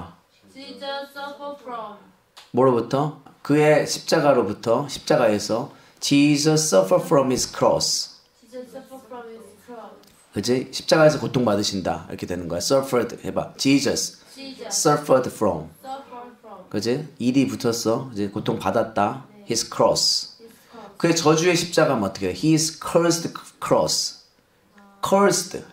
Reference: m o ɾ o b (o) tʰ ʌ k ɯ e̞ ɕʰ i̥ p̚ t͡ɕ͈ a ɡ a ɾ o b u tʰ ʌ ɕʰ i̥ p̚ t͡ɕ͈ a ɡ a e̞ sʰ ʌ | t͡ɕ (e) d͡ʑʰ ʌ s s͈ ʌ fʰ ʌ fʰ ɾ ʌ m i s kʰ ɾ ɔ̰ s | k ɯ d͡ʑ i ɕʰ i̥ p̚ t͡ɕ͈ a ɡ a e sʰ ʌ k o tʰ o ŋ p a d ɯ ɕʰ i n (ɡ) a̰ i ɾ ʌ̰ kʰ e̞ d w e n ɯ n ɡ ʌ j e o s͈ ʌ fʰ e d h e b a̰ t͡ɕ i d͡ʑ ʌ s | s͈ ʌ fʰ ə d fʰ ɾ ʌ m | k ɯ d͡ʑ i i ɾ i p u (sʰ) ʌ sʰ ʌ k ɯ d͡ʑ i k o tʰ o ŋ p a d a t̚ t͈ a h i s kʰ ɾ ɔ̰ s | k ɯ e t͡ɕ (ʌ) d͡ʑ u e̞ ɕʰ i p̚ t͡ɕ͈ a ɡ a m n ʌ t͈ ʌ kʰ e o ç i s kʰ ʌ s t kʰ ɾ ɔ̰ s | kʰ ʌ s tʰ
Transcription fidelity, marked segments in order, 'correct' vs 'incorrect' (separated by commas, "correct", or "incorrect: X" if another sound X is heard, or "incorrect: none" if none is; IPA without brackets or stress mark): incorrect: u, incorrect: i, incorrect: d, incorrect: tʰ, correct